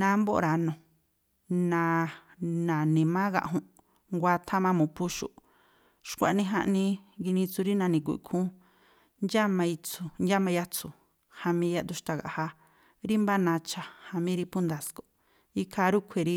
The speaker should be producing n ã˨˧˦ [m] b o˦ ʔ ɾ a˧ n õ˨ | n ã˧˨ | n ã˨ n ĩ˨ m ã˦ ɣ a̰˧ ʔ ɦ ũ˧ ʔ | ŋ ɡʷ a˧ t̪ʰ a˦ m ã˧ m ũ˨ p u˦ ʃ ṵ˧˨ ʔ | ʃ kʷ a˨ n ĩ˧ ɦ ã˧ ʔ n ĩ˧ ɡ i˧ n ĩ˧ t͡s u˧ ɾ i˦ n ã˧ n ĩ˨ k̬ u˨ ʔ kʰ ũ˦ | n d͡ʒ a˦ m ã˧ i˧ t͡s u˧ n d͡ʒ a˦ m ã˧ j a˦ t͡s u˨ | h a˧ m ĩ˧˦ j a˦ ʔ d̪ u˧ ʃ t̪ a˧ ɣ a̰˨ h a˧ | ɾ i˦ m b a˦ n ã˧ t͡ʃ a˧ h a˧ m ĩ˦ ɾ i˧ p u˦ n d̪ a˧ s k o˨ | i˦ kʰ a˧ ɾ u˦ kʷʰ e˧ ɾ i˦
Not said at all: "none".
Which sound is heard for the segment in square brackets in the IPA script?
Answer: m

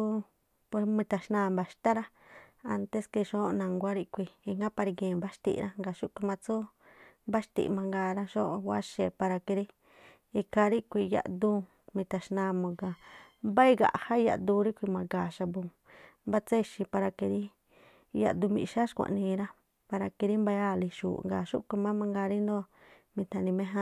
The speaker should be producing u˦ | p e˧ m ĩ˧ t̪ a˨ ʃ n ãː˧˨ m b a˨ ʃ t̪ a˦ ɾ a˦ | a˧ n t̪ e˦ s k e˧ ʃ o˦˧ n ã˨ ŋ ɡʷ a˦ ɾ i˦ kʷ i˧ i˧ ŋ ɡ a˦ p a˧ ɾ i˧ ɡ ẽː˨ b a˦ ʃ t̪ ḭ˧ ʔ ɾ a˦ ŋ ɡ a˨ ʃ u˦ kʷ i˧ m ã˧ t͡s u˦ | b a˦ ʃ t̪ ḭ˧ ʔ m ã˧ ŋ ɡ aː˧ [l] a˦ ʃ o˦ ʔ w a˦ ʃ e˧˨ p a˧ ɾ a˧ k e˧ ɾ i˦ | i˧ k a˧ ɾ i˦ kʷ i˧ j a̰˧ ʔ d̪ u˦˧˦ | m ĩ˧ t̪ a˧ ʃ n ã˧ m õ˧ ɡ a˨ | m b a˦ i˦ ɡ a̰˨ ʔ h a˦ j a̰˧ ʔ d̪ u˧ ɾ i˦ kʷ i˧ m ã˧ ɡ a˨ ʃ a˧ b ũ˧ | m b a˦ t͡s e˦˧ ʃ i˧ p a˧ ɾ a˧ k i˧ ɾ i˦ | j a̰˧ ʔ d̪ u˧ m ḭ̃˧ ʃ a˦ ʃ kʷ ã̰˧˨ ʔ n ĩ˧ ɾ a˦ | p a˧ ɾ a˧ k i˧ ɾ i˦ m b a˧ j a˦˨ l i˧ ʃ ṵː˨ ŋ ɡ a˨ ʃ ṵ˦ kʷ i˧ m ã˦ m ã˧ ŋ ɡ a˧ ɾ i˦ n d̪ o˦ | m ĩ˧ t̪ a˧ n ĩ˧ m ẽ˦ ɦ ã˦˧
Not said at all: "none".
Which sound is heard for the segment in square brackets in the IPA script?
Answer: ɾ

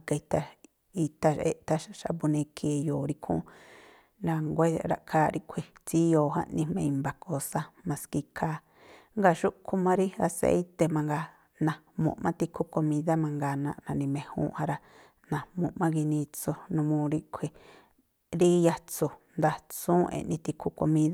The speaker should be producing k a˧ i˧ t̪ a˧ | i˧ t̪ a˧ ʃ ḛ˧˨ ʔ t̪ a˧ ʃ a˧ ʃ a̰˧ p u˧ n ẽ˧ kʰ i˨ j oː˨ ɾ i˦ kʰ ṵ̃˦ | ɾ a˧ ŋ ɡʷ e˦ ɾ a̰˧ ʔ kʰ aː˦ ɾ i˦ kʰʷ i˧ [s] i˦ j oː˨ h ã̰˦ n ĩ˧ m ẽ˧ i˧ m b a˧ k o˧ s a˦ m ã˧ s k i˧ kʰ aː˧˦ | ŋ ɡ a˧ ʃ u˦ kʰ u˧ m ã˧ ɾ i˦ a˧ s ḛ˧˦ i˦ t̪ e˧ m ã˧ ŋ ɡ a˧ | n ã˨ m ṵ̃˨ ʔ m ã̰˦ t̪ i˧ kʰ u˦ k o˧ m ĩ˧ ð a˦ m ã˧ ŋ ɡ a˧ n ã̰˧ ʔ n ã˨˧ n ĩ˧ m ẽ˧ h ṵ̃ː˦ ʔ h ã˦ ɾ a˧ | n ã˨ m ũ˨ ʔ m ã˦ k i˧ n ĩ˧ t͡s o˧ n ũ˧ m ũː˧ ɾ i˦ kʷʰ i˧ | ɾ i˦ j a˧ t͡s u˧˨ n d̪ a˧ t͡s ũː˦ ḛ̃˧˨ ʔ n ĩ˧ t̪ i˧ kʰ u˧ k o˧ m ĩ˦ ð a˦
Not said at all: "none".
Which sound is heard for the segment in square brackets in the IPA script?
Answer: t͡s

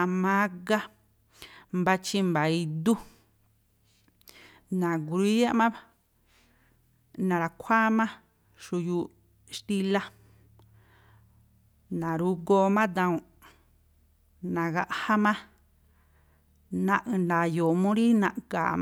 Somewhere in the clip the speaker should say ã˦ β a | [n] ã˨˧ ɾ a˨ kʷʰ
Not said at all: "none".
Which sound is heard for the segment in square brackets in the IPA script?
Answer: n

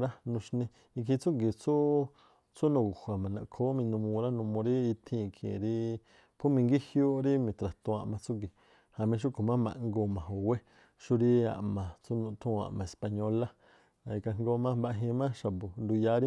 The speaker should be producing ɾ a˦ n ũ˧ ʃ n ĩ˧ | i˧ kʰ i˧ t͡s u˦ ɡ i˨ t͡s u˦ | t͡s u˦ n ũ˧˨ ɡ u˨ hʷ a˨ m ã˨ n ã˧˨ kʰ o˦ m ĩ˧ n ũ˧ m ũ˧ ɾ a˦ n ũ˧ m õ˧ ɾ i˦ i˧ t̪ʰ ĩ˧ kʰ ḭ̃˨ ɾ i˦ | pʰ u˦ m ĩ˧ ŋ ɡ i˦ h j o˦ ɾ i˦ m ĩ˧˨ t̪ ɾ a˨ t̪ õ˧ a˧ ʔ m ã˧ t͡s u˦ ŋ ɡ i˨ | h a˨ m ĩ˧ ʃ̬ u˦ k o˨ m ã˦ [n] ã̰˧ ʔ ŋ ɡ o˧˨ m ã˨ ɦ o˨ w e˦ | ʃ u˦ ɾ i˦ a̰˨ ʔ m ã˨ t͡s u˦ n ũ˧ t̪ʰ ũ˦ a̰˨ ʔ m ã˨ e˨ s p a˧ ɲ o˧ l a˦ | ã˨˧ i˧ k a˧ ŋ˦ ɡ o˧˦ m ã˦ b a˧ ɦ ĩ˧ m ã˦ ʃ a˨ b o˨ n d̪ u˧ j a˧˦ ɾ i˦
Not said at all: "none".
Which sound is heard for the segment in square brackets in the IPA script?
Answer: m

